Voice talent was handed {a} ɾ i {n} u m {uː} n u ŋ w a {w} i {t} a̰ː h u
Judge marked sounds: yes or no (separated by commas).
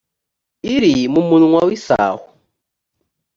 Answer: no, no, no, yes, no